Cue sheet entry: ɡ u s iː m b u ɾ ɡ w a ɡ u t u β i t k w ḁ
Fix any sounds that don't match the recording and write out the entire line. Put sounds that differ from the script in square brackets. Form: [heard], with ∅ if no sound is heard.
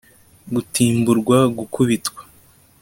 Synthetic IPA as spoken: ɡ u [t] iː m b u ɾ ɡ w a ɡ u [k] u β i t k w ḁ